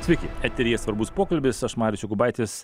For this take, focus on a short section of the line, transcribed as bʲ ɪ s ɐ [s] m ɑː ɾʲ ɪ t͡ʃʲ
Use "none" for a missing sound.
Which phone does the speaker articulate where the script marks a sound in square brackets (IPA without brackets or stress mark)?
ʃ